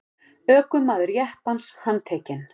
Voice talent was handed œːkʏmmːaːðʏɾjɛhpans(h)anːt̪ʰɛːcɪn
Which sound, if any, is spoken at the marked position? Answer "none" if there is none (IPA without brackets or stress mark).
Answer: h